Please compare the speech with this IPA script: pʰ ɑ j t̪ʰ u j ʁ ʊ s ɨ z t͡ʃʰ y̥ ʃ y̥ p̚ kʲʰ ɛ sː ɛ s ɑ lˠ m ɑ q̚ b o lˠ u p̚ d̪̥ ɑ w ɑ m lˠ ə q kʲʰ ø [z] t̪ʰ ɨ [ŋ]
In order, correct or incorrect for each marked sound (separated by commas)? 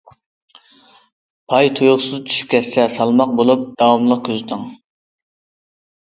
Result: correct, correct